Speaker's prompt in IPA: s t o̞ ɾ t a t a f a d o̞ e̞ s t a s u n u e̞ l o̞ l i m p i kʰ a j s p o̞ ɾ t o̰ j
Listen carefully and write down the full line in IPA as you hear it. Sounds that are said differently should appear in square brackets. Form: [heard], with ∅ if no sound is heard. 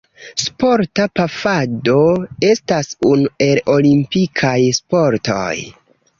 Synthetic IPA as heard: s [p] o̞ ɾ t a [p] a f a d o̞ e̞ s t a s u n u e̞ l o̞ l i m p i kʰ a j s p o̞ ɾ t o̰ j